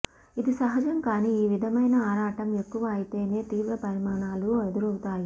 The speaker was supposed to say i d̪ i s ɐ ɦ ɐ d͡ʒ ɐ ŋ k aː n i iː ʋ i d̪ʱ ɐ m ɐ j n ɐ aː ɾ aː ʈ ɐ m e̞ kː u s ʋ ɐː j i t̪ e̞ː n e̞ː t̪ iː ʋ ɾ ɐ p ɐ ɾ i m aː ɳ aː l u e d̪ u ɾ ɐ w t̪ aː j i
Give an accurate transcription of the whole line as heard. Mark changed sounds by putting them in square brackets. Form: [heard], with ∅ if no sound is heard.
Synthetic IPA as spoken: i d̪ i s ɐ ɦ ɐ d͡ʒ ɐ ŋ k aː n i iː ʋ i d̪ʱ ɐ m ɐ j n ɐ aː ɾ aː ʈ ɐ m e̞ kː u [∅] ʋ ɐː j i t̪ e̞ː n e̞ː t̪ iː ʋ ɾ ɐ p ɐ ɾ i m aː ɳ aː l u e d̪ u ɾ ɐ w t̪ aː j i